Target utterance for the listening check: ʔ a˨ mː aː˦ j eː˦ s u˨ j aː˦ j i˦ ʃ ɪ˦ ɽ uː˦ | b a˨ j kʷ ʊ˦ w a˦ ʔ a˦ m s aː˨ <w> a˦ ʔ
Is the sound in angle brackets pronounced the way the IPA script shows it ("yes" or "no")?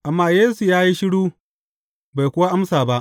no